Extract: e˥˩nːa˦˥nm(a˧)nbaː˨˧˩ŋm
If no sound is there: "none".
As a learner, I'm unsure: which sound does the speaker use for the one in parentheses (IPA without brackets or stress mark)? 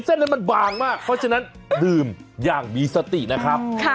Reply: a˧